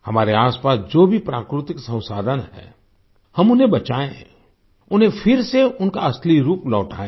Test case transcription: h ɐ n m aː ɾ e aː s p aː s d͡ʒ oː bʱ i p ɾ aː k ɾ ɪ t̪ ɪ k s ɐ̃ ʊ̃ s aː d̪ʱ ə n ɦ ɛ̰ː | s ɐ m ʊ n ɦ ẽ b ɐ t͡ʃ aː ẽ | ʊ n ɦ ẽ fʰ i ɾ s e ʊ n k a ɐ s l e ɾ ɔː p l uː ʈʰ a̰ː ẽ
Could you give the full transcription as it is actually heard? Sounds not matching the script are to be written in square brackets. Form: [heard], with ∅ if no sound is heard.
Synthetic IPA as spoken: h ɐ [∅] m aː ɾ e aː s p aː s d͡ʒ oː bʱ i p ɾ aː k ɾ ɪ t̪ ɪ k s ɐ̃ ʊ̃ s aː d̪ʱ ə n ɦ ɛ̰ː | [h] ɐ m ʊ n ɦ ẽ b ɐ t͡ʃ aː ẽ | ʊ n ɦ ẽ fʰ [ɪ] ɾ s e ʊ n k a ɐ s l [i] ɾ [uː] p l [ɔː] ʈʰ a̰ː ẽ